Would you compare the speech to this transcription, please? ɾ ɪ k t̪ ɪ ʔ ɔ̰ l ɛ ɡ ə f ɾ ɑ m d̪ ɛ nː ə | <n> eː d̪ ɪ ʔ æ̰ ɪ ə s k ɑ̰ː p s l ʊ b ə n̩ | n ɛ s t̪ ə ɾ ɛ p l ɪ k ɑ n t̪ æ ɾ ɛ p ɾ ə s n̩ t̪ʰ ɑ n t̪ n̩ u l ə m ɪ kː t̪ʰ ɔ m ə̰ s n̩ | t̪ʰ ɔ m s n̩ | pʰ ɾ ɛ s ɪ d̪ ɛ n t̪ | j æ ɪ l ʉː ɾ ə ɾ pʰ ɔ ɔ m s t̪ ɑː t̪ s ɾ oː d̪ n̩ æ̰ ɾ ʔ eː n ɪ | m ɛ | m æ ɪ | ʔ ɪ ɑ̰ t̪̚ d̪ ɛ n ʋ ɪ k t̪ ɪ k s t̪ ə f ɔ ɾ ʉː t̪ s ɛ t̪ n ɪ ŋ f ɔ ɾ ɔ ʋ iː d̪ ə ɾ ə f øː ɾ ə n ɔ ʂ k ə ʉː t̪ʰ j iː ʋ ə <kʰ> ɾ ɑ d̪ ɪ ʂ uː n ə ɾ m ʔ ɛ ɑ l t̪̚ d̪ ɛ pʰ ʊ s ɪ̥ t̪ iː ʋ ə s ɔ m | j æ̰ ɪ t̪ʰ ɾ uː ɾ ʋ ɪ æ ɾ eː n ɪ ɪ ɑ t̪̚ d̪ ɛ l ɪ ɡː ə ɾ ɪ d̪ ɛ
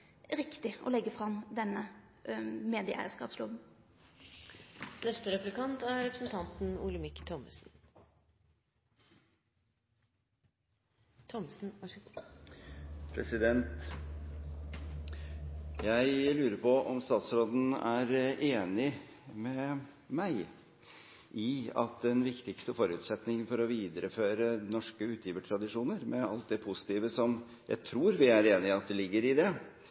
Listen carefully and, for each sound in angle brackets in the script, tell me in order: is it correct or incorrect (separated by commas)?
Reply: incorrect, incorrect